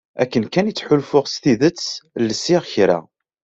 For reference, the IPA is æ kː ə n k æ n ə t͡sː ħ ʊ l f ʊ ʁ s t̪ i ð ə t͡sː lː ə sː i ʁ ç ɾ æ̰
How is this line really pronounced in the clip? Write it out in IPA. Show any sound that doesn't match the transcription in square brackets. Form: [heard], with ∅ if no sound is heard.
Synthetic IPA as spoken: æ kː ə n k æ n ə t͡sː ħ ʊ l f ʊ ʁ s t̪ i ð ə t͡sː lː ə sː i ʁ ç ɾ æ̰